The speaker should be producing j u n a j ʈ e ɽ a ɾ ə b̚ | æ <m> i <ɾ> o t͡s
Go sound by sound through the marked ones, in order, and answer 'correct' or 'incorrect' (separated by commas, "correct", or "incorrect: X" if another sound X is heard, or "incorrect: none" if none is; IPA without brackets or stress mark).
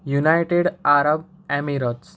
correct, correct